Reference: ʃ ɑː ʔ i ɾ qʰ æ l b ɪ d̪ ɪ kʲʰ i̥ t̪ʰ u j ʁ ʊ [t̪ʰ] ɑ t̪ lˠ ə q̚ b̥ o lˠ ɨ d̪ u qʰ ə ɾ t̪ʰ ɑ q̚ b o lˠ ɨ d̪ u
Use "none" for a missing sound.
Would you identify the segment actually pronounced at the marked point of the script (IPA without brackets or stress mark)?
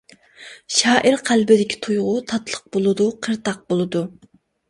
t̪ʰ